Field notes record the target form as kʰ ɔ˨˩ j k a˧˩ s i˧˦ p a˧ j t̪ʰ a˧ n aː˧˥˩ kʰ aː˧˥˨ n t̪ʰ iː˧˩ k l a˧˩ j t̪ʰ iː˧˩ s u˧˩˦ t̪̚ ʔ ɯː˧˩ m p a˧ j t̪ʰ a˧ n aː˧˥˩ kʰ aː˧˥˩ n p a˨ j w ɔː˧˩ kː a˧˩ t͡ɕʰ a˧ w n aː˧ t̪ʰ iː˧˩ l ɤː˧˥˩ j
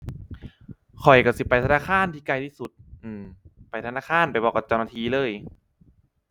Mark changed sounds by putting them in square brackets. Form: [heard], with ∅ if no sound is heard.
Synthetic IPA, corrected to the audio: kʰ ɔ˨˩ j k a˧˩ s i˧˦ p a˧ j t̪ʰ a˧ n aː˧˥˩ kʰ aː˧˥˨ n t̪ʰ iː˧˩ k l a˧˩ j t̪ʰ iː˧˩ s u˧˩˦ t̪̚ ʔ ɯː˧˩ m p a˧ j t̪ʰ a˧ n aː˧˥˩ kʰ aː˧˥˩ n p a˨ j [b] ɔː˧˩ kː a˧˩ [t͡ɕ] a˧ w n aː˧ t̪ʰ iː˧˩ l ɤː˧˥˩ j